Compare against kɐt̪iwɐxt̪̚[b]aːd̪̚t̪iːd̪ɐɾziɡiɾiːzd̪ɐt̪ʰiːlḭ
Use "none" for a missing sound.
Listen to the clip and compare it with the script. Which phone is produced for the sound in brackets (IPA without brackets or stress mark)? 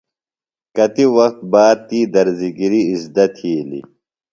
b